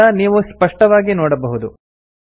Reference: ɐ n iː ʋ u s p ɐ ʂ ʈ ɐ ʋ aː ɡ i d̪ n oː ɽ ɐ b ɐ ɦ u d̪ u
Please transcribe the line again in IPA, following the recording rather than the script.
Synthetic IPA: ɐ n iː ʋ u s p ɐ ʂ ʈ ɐ ʋ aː ɡ i n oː ɽ ɐ b ɐ ɦ u d̪ u